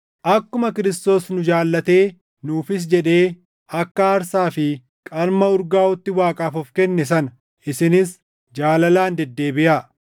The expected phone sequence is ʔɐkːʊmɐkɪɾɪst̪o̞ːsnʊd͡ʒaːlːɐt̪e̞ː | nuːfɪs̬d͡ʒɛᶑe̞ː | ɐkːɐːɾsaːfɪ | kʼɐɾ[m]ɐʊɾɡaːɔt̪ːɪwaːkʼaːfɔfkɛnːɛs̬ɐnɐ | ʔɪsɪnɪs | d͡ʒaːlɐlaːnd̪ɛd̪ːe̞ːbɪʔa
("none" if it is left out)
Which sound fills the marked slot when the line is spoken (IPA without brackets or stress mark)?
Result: m